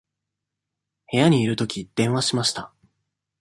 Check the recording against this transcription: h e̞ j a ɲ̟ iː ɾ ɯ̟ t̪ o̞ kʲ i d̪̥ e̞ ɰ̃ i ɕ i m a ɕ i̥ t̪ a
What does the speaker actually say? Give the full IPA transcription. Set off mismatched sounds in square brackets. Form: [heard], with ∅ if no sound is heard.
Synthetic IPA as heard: h e̞ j a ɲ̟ iː ɾ ɯ̟ t̪ o̞ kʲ i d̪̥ [ẽ̞] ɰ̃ [a] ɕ i m a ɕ i̥ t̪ a